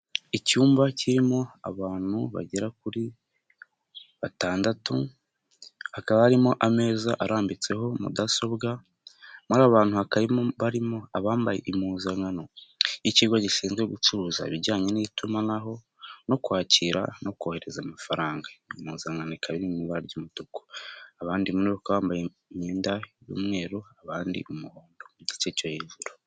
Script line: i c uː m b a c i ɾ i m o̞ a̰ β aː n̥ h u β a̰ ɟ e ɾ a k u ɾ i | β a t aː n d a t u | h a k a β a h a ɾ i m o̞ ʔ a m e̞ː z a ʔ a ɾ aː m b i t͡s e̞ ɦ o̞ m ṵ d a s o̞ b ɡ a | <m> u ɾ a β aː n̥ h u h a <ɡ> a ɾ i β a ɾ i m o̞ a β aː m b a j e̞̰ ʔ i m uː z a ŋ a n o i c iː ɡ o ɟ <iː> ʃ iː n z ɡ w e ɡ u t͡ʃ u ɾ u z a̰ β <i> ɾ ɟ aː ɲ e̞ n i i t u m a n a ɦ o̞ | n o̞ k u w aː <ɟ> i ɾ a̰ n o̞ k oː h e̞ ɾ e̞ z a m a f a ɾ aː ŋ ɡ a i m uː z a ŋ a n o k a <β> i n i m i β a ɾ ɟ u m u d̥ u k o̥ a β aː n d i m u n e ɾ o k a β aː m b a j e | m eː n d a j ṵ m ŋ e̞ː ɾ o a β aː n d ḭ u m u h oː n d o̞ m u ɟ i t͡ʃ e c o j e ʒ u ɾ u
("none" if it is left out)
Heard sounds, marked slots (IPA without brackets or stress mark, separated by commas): m, k, i, i, c, β